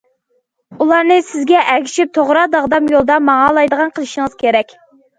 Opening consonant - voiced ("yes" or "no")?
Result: yes